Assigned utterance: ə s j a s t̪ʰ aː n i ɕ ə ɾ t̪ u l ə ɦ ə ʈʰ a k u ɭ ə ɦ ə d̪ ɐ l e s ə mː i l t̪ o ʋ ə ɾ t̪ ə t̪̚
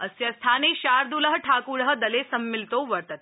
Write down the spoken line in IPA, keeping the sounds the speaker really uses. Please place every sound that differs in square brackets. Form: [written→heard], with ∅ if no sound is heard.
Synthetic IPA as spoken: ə s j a s t̪ʰ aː n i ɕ [ə→a] ɾ [t̪→d̪] u l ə ɦ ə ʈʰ a k u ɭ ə ɦ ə d̪ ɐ l e s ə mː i l t̪ o ʋ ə ɾ t̪ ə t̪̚